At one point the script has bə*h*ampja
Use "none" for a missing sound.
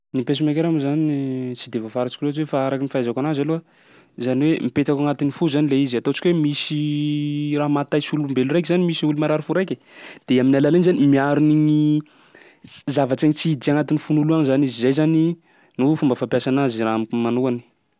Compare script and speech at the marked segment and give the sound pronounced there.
f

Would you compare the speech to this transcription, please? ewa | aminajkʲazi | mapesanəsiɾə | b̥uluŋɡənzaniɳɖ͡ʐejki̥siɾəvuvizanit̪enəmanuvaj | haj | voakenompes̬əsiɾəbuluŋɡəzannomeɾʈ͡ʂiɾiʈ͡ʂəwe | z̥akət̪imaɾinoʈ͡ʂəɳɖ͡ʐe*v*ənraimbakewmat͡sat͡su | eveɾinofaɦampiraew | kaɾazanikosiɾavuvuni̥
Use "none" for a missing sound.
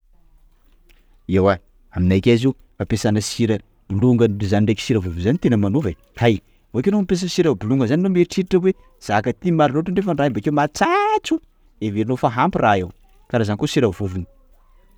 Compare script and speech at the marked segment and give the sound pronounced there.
f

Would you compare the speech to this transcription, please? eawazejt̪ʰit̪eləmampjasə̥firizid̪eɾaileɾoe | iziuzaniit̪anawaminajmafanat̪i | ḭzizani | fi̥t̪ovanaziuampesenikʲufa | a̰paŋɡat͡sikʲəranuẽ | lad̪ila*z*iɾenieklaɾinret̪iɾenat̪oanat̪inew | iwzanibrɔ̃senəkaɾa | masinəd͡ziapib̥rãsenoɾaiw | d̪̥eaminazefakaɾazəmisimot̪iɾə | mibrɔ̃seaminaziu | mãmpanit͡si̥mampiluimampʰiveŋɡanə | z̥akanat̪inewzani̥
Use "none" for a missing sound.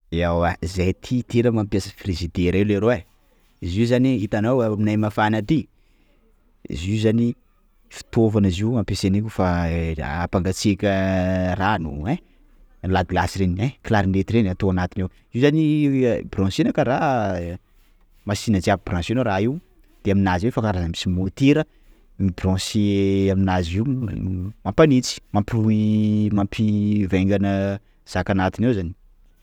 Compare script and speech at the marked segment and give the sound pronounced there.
s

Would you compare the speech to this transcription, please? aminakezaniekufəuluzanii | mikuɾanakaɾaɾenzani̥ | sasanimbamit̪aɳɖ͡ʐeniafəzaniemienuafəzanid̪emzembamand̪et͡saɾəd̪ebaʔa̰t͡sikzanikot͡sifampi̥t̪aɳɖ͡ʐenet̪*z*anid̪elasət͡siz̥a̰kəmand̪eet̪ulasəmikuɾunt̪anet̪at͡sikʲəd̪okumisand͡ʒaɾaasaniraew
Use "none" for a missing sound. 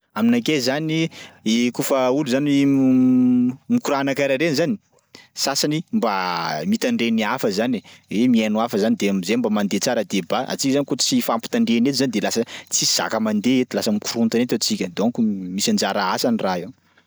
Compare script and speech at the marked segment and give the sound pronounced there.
z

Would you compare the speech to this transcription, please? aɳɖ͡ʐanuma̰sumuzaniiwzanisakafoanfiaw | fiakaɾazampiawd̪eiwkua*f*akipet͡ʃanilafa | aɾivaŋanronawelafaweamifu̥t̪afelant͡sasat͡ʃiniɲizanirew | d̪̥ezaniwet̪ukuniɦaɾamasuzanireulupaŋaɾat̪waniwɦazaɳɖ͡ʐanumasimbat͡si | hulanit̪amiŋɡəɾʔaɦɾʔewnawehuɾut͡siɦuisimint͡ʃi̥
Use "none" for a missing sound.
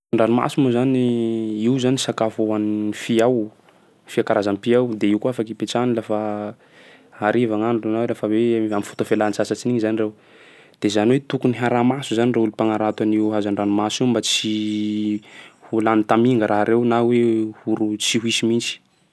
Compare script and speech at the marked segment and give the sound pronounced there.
f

